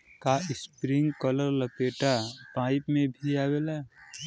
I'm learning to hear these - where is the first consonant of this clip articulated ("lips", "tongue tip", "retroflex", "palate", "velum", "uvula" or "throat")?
velum